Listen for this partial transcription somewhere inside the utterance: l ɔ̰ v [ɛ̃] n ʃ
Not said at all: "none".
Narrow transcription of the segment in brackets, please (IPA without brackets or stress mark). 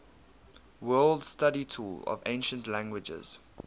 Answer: ẽ